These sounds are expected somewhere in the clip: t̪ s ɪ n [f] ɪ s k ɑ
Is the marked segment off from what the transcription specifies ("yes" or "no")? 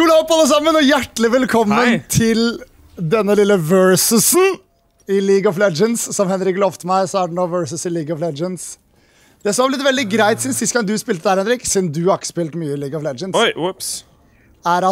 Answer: yes